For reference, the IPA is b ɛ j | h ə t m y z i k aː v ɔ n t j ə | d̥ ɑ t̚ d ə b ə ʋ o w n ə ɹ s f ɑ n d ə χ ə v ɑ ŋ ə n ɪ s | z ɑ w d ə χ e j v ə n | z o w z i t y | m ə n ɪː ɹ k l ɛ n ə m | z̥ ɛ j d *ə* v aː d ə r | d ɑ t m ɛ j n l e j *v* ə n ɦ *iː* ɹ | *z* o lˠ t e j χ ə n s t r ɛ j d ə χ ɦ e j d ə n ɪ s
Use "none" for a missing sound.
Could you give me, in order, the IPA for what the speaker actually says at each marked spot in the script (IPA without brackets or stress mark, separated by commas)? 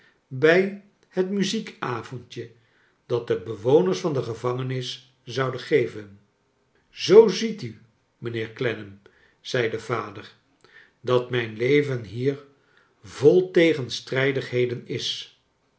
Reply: ə, v, iː, v